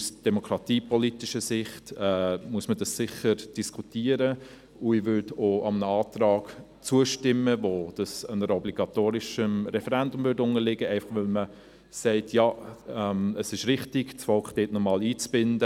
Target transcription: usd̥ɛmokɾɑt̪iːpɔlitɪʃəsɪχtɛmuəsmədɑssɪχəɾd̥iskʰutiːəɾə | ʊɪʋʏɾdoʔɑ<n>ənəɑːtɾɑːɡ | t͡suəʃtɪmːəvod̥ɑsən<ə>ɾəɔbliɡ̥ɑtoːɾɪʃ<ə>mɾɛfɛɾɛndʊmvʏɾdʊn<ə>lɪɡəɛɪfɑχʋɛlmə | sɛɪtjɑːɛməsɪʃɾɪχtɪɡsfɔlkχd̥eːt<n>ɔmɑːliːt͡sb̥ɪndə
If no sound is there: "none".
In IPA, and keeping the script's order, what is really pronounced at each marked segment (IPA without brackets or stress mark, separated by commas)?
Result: m, ə, ə, ə, n